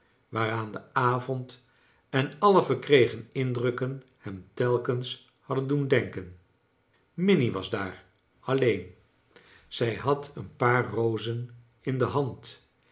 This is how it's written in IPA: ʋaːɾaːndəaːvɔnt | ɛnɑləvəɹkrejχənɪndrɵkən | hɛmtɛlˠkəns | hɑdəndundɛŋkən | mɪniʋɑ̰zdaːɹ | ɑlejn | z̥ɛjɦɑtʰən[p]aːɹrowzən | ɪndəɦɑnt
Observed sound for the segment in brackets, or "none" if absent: p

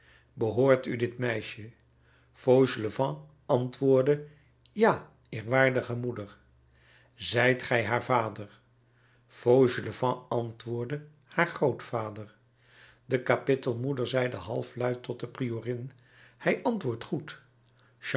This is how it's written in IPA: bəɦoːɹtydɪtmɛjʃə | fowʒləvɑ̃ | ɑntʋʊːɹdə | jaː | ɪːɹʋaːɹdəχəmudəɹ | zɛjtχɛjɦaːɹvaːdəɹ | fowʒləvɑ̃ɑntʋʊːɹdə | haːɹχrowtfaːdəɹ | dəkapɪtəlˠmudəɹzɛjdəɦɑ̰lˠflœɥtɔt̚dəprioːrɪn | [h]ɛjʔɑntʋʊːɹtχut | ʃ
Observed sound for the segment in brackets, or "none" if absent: h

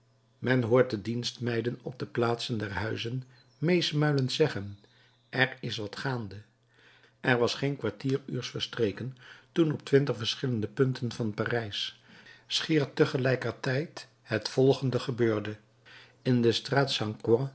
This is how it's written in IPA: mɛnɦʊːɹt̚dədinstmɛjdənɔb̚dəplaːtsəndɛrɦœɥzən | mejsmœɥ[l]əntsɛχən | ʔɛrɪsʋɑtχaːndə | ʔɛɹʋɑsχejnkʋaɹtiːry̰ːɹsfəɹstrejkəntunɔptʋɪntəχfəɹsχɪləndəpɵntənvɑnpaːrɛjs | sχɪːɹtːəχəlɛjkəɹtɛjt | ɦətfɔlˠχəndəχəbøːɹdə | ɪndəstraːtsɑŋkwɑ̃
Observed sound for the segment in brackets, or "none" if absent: l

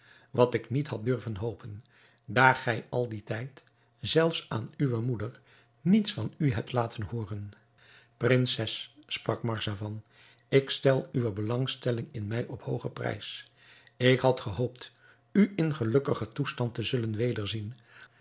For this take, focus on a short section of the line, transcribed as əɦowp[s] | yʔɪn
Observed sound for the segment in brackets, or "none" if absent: t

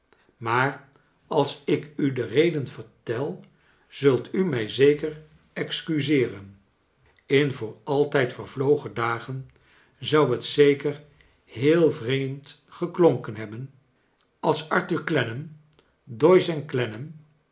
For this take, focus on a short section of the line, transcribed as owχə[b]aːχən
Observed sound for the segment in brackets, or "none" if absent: d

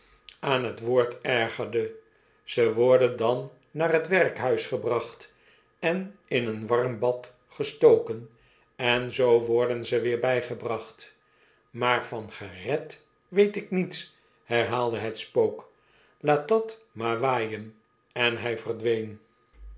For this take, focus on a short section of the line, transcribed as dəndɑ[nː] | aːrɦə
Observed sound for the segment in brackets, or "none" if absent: nː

